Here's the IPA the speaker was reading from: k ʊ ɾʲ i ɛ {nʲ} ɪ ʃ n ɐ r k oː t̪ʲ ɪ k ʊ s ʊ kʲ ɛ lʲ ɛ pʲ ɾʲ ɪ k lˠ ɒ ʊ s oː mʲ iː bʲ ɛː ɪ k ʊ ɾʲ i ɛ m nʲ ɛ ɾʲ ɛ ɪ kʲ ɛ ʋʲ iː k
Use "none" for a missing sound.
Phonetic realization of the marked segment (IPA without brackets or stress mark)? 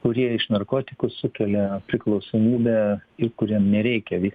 none